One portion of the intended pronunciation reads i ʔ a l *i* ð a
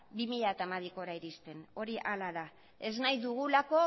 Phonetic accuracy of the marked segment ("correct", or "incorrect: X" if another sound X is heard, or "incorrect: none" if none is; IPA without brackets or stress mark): incorrect: a